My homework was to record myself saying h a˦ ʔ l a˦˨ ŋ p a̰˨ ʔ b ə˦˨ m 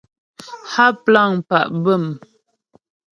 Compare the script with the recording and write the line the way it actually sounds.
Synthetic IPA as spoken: h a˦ p l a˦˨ ŋ p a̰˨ ʔ b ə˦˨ m